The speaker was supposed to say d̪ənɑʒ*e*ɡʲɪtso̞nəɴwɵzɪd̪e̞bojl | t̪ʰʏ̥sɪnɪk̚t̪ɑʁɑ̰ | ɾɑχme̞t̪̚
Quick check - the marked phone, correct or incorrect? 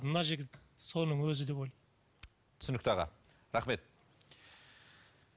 correct